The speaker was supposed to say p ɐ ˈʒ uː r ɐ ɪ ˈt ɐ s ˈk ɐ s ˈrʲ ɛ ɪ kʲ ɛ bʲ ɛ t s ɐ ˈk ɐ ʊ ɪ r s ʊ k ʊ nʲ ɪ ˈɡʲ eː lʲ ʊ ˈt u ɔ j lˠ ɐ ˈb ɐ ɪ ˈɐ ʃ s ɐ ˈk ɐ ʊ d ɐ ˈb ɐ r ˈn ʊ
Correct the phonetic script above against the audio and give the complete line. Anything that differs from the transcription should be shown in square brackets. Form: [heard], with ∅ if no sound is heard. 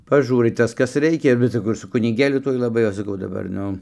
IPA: p ɐ ˈʒ uː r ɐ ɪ ˈt ɐ s ˈk ɐ s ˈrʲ ɛ ɪ kʲ ɛ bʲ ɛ t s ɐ ˈk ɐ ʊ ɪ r s ʊ k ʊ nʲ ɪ ˈɡʲ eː lʲ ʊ ˈt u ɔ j lˠ ɐ ˈb ɐ ɪ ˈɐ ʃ s ɐ ˈk ɐ ʊ d ɐ ˈb ɐ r ˈn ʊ